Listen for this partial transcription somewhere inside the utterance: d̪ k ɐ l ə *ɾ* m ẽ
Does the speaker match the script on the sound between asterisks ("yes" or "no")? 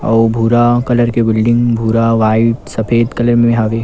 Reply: yes